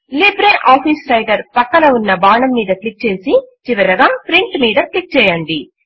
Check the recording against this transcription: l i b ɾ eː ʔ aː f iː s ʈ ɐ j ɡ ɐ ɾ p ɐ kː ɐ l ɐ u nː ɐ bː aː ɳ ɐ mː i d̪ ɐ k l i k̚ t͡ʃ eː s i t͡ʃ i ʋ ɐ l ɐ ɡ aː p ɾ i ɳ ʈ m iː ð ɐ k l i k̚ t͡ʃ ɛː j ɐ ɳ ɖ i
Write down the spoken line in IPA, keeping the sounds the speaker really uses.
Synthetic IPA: l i b ɾ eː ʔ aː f iː s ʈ ɐ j ɡ ɐ ɾ p ɐ kː ɐ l ɐ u nː ɐ b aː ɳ ɐ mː iː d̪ ɐ k l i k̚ t͡ʃ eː s i t͡ʃ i ʋ ɐ ɾ ɐ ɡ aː p ɾ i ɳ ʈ m iː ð ɐ k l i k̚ t͡ʃ ɛː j ɐ ɳ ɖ i

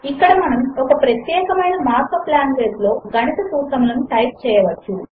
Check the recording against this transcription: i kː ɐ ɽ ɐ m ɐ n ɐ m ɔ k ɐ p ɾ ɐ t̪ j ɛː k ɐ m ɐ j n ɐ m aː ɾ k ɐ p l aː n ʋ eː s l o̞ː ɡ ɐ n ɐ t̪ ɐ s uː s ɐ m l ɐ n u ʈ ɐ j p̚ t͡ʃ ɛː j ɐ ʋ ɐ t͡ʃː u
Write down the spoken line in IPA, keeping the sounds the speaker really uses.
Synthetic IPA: i kː ɐ ɽ ɐ m ɐ n ɐ m ɔ k ɐ p ɾ ɐ t̪ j ɛː k ɐ m ɐ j n ɐ m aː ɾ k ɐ p l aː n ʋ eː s l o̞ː ɡ ɐ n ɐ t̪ ɐ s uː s ɐ m l ɐ n u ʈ ɐ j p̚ t͡ʃ ɛː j ɐ ʋ ɐ t͡ʃː u

